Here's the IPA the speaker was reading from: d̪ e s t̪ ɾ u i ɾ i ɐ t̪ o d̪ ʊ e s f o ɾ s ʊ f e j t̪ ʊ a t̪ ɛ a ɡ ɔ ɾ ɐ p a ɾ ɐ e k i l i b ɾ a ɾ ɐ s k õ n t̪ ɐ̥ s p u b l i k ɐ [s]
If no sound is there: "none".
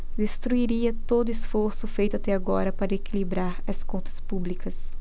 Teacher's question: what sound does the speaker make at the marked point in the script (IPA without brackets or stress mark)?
s